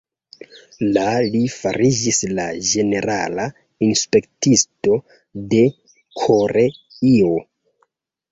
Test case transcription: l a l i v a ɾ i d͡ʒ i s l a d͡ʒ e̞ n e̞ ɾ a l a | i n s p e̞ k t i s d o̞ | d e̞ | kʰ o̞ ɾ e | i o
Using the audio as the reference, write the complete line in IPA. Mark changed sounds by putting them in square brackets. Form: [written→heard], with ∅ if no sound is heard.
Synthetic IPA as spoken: l a l i [v→f] a ɾ i d͡ʒ i s l a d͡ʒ e̞ n e̞ ɾ a l a | i n s p e̞ k t i s [d→t] o̞ | d e̞ | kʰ o̞ ɾ e | i o